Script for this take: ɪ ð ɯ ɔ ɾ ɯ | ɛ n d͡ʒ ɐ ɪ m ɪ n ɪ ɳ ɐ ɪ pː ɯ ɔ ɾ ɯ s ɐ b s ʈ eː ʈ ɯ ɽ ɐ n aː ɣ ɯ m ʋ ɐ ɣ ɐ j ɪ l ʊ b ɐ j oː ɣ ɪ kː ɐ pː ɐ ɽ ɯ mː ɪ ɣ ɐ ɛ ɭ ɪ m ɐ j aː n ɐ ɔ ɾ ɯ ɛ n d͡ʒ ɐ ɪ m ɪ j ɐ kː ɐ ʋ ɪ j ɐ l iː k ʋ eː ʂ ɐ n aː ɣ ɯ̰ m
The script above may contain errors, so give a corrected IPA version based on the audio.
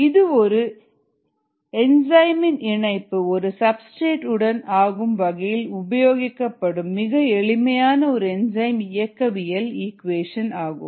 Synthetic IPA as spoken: ɪ ð ɯ ɔ ɾ ɯ | ɛ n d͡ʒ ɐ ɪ m ɪ n ɪ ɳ ɐ ɪ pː ɯ ɔ ɾ ɯ s ɐ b s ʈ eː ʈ ɯ ɽ ɐ n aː ɣ ɯ m ʋ ɐ ɣ ɐ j ɪ l ʊ b ɐ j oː ɣ ɪ kː ɐ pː ɐ ɽ ɯ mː ɪ ɣ ɐ ɛ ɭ ɪ m ɐ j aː n ɐ ɔ ɾ ɯ ɛ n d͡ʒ ɐ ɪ m ɪ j ɐ kː ɐ ʋ ɪ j ɐ l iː k ʋ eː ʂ ɐ n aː ɣ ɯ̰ m